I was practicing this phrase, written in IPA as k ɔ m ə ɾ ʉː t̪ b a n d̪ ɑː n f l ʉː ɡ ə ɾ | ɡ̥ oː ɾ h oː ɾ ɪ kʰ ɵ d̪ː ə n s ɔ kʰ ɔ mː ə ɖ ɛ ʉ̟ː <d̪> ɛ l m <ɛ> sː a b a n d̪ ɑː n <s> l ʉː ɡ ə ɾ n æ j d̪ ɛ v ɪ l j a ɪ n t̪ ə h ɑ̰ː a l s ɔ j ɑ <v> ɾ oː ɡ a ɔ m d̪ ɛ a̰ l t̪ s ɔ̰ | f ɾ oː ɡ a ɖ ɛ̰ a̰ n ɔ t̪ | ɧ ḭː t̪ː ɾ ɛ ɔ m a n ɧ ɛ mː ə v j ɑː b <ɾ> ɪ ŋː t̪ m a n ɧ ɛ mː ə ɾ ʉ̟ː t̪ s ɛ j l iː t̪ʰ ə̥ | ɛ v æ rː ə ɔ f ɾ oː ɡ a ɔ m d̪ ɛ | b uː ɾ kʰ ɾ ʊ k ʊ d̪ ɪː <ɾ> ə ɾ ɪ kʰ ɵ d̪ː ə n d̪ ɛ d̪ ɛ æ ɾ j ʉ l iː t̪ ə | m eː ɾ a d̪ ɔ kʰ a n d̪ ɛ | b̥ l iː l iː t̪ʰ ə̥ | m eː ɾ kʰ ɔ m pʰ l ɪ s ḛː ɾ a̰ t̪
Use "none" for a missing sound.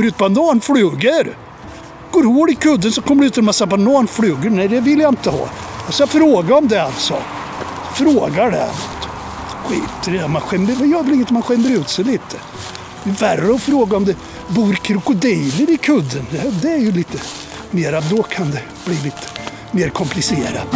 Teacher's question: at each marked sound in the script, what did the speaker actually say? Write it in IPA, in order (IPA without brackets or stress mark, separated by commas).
t̪, a, f, f, l, l